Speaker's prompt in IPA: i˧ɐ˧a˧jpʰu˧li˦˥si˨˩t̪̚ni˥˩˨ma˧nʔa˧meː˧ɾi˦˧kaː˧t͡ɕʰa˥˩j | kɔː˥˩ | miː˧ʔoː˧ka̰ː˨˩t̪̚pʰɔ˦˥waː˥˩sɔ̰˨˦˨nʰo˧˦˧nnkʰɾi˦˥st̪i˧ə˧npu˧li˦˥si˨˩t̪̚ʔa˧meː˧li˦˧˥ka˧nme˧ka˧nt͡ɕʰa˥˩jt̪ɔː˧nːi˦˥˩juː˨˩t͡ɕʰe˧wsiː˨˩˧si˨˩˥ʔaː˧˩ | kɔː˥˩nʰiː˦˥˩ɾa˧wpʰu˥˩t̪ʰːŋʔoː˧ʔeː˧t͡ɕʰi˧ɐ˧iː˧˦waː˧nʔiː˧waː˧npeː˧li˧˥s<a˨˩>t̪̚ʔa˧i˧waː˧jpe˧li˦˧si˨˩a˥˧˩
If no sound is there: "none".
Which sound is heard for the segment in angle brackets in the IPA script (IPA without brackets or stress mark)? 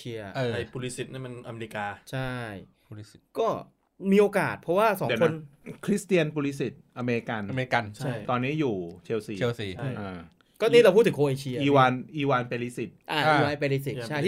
i˨˩